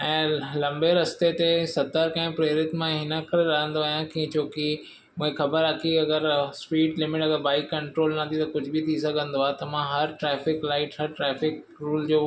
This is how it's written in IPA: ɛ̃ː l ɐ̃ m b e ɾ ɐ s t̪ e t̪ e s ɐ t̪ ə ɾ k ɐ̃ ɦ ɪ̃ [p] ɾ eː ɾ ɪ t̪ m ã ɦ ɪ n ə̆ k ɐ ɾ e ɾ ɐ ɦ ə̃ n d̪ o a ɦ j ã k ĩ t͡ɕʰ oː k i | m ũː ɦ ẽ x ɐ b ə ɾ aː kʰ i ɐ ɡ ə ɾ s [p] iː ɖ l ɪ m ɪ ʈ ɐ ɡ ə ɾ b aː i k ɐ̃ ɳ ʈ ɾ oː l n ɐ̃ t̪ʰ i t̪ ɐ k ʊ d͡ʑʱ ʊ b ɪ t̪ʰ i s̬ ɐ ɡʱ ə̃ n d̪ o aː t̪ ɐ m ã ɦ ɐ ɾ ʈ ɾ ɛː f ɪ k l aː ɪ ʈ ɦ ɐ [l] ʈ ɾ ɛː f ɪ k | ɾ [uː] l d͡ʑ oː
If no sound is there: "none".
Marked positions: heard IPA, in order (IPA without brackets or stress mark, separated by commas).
p, p, ɾ, uː